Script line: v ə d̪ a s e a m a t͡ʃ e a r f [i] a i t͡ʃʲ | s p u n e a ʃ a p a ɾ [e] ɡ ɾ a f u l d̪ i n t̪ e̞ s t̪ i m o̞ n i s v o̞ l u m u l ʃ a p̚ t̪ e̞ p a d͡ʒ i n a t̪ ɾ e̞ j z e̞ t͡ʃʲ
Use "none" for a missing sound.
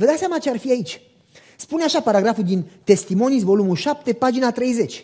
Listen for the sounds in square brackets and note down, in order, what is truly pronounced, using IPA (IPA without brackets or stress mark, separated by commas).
i, a